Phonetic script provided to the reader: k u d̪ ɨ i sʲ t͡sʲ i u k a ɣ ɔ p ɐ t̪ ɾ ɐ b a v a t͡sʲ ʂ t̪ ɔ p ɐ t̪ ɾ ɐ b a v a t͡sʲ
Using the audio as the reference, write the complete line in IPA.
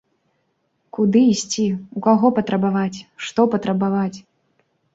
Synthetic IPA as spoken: k u d̪ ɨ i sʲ t͡sʲ i u k a ɣ ɔ p ɐ t̪ ɾ ɐ b a v a t͡sʲ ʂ t̪ ɔ p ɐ t̪ ɾ ɐ b a v a t͡sʲ